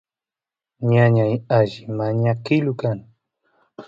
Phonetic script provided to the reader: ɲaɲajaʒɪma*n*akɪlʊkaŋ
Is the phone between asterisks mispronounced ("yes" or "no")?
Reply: yes